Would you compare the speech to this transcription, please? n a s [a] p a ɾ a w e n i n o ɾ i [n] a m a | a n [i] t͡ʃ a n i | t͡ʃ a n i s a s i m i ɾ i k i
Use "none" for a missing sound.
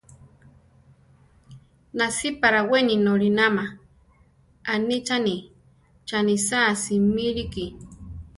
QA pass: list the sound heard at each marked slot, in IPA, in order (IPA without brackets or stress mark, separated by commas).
i, n, i